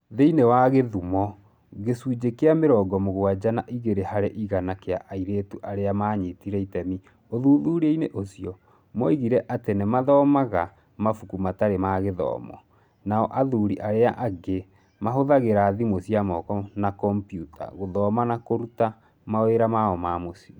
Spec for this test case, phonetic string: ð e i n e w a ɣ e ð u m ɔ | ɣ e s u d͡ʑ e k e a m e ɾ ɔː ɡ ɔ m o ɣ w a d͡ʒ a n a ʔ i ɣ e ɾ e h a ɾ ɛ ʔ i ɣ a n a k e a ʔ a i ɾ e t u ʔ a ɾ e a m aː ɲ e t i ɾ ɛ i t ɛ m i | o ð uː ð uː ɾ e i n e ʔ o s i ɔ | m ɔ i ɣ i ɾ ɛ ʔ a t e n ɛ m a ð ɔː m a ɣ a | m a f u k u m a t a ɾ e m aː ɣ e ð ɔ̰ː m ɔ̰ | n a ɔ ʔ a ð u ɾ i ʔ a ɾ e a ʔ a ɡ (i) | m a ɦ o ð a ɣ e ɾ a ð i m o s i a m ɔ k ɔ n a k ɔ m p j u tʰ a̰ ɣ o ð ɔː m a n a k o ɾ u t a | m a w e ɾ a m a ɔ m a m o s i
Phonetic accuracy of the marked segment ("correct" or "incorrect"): incorrect